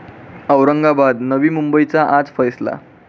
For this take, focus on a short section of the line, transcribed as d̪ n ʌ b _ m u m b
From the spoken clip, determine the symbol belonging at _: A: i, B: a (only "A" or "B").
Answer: A